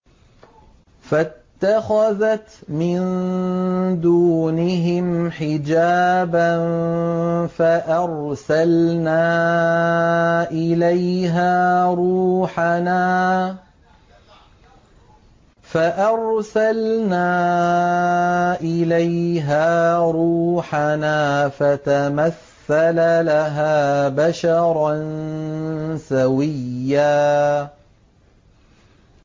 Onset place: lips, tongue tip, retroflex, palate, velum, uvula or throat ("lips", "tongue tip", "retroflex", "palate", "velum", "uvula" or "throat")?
lips